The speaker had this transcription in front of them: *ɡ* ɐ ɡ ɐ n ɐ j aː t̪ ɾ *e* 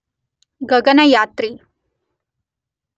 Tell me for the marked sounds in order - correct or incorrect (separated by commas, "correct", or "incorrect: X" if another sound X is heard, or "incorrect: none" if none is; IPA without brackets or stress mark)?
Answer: correct, incorrect: i